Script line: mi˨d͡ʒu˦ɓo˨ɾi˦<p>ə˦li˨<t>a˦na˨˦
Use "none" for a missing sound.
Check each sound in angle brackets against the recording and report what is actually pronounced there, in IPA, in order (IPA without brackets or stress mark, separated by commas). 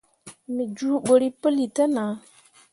p, t